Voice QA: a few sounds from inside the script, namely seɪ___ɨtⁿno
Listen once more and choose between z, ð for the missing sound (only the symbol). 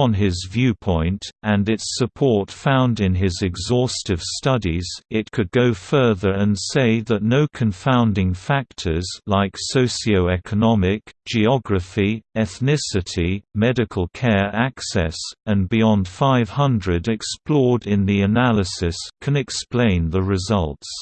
ð